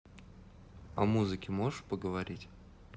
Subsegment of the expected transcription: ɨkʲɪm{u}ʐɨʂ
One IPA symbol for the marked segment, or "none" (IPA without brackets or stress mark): o